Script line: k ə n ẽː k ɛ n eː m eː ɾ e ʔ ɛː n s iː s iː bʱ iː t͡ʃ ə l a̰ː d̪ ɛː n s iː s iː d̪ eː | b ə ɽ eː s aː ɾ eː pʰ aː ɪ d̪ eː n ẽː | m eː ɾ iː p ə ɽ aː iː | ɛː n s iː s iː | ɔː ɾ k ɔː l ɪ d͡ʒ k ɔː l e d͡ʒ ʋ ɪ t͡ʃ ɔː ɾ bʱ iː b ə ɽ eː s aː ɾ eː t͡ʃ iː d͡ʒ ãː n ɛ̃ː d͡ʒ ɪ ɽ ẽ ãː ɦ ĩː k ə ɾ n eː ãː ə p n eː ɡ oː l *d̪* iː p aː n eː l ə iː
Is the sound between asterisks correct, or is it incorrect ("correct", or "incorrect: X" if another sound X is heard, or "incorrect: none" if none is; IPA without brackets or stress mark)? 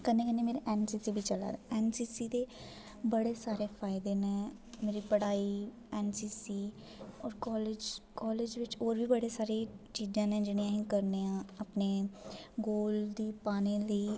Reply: correct